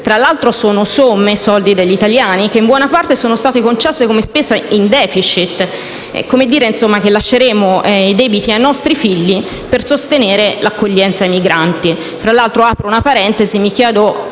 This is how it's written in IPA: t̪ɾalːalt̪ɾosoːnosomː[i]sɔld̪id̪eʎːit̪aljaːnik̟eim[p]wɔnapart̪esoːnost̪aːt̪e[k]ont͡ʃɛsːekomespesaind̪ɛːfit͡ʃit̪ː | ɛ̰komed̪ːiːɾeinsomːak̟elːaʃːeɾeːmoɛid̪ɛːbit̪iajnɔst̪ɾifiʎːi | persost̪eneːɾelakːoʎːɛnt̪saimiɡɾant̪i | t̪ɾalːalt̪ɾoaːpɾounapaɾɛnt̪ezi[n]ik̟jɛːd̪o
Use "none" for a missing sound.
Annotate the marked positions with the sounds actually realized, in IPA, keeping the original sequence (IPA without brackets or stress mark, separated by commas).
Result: e, b, k, m